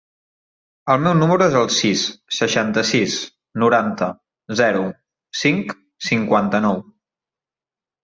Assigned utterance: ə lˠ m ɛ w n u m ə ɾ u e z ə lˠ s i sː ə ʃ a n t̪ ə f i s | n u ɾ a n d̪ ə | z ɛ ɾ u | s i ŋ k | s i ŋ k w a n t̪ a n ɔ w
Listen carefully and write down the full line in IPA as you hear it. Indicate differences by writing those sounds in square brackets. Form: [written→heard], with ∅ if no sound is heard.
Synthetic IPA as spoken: ə lˠ m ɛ w n u m ə ɾ u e z ə lˠ s i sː ə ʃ a n t̪ ə [f→s] i s | n u ɾ a n [d̪→t̪] ə | z ɛ ɾ u | s i ŋ k | s i ŋ k w a n t̪ [a→ə] n ɔ w